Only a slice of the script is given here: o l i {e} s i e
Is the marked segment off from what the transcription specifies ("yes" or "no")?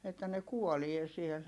no